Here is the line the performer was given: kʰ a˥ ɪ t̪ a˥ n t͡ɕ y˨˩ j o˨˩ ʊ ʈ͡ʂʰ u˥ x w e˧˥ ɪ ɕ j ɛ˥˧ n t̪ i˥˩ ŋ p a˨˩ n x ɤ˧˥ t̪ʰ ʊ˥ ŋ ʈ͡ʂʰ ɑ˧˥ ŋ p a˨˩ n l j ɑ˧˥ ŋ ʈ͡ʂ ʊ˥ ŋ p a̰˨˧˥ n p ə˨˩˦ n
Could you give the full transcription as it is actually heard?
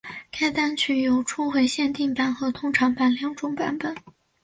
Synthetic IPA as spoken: kʰ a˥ ɪ t̪ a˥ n t͡ɕʰ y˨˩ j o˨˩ ʊ ʈ͡ʂʰ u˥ x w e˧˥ ɪ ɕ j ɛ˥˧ n t̪ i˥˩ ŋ p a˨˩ n x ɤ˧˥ t̪ʰ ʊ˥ ŋ ʈ͡ʂʰ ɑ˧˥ ŋ p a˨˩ n l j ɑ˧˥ ŋ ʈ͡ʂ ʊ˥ ŋ p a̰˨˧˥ n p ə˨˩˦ n

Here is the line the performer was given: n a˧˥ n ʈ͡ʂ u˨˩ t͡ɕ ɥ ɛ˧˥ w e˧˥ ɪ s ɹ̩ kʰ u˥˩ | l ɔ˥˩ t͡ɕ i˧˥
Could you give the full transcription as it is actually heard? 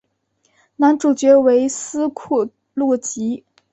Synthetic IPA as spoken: n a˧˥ n ʈ͡ʂ u˨˩ t͡ɕ ɥ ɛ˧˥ w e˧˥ ɪ s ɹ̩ kʰ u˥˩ | l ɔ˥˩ t͡ɕ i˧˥

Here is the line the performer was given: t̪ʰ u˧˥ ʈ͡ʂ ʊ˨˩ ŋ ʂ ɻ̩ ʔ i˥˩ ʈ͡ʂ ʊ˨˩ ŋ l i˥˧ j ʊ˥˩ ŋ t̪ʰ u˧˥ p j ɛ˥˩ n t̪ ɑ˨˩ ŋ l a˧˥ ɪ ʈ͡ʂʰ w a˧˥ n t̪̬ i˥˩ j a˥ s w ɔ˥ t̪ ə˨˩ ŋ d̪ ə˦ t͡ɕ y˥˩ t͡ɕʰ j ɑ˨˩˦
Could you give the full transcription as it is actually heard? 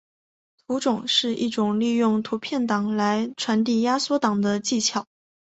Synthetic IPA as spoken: t̪ʰ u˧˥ ʈ͡ʂ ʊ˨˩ ŋ ʂ ɻ̩ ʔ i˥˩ ʈ͡ʂ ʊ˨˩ ŋ l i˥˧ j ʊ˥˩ ŋ t̪ʰ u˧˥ pʰ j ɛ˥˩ n t̪ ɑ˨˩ ŋ l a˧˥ ɪ ʈ͡ʂʰ w a˧˥ n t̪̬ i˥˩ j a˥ s w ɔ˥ t̪ ɑ˨˩ ŋ d̪ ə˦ t͡ɕ i˥˩ t͡ɕʰ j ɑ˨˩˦

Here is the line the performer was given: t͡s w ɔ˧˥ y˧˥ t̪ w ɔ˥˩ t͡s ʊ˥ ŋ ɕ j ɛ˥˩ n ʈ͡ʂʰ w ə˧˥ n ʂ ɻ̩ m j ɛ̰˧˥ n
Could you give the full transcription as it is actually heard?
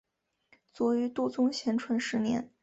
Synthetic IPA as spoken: t͡s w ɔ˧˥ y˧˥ t̪ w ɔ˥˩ t͡s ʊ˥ ŋ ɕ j ɛ˧˥ n ʈ͡ʂʰ w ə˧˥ n ʂ ɻ̩ n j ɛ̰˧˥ n

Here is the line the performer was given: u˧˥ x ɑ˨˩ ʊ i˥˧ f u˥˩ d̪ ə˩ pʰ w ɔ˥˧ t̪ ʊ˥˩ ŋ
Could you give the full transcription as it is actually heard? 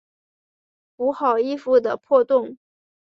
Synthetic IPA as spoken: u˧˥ x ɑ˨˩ ʊ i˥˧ f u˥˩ d̪ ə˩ pʰ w ɔ˥˧ t̪ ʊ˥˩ ŋ

